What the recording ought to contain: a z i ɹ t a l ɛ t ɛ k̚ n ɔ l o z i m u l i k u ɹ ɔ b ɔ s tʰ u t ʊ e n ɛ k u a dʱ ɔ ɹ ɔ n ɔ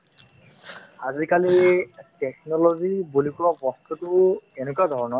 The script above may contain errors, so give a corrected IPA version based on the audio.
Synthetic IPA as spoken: a z i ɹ k a l i t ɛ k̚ n ɔ l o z i b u l i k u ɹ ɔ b ɔ s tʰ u t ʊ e n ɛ k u a dʱ ɔ ɹ ɔ n ɔ

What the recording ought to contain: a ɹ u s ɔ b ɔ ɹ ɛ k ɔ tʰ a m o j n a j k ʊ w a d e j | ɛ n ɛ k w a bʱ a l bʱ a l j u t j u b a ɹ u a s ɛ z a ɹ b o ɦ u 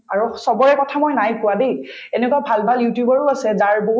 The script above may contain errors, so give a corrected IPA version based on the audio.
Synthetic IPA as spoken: a ɹ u s ɔ b ɔ ɹ ɛ k ɔ tʰ a m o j n a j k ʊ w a d e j | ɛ n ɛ k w a bʱ a l bʱ a l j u t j u b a ɹ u a s ɛ z a ɹ b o ɦ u

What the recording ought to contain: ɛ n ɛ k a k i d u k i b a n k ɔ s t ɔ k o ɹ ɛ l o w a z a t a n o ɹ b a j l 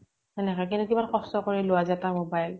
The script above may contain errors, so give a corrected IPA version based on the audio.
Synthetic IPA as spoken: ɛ n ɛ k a k i n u k i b a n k ɔ s t ɔ k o ɹ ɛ l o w a z a t a m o b a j l

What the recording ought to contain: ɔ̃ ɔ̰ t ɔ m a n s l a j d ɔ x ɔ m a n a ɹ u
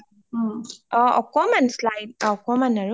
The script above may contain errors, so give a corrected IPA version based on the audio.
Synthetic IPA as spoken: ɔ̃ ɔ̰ k ɔ m a n s l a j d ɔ k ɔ m a n a ɹ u

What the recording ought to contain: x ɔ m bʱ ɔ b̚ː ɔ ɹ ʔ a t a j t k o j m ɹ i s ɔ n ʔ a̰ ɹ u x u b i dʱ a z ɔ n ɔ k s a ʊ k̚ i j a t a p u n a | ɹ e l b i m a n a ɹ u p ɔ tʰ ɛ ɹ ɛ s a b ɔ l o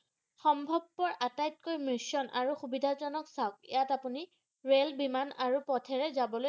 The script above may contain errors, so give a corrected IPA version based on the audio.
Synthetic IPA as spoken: x ɔ m bʱ ɔ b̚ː ɔ ɹ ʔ a t a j t k o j m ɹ i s ɔ n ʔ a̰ ɹ u x u b i dʱ a z ɔ n ɔ k s a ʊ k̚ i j a t a p u n i | ɹ e l b i m a n a ɹ u p ɔ tʰ ɛ ɹ ɛ z a b ɔ l o

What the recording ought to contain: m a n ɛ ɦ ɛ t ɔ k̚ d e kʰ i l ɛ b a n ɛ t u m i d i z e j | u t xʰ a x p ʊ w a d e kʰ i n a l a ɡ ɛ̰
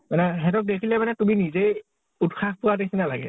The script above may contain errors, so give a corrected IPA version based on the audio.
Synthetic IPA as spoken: m a n ɛ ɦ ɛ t ɔ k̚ d e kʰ i l ɛ m a n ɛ t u m i n i z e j | u t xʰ a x p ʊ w a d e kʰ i n a l a ɡ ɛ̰

